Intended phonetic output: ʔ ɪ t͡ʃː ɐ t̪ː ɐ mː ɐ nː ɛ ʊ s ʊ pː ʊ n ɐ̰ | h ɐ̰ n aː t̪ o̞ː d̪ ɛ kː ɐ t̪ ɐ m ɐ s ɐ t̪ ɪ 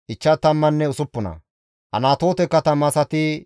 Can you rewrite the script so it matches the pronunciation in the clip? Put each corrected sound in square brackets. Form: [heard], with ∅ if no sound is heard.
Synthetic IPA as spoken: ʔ ɪ t͡ʃː ɐ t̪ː ɐ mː ɐ nː ɛ ʊ s ʊ pː ʊ n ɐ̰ | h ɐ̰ n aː t̪ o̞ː [t̪] ɛ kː ɐ t̪ ɐ m ɐ s ɐ t̪ ɪ